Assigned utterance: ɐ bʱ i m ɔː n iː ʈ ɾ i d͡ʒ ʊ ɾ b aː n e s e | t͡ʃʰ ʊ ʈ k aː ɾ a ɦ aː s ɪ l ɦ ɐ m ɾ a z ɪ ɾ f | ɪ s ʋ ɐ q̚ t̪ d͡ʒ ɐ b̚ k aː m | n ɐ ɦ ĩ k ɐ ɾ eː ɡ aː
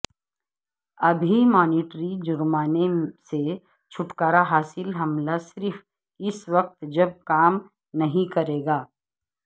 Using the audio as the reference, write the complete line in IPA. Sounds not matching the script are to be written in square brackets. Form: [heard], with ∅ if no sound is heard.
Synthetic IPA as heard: ɐ bʱ i m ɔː n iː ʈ ɾ i d͡ʒ ʊ ɾ [m] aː n e s e | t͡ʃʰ ʊ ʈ k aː ɾ a ɦ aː s ɪ l ɦ ɐ m [l] a [s] ɪ ɾ f | ɪ s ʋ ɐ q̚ t̪ d͡ʒ ɐ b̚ k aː m | n ɐ ɦ ĩ k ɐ ɾ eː ɡ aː